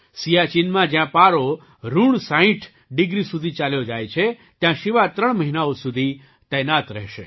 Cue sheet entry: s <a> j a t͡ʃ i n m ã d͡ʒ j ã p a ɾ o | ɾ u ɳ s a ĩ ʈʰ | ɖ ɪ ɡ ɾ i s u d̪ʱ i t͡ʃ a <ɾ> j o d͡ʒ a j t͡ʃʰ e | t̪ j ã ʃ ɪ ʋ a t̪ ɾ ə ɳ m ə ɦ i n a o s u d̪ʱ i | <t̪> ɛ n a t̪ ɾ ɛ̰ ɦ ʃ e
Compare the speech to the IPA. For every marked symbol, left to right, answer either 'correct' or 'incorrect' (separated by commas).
incorrect, incorrect, correct